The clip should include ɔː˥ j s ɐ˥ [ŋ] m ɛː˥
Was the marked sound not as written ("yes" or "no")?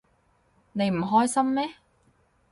yes